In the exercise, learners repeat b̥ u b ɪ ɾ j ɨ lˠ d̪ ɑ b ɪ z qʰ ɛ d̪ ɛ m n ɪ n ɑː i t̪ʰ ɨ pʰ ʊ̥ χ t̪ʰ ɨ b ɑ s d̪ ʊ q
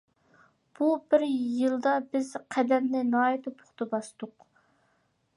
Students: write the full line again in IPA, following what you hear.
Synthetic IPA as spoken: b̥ u b ɪ ɾ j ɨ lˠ d̪ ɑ b ɪ z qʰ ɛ d̪ ɛ m n ɪ n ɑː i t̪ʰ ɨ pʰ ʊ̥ χ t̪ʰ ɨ b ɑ s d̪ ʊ q